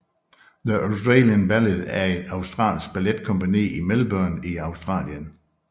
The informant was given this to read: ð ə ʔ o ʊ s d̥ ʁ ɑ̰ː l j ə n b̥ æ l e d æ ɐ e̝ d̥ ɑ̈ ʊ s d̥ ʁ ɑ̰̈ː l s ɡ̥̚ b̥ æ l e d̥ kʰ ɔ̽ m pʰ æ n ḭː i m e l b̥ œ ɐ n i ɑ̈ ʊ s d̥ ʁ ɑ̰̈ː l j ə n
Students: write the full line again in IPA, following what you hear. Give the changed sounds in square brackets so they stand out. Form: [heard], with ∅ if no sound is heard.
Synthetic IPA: ð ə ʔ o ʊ s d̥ ʁ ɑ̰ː l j ə n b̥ æ l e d æ ɐ e̝ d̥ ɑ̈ ʊ s d̥ ʁ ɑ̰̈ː l s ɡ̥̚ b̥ æ l e d̥ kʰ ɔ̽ m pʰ æ n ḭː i m e l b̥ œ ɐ n i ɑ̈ ʊ s d̥ ʁ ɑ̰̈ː l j ə n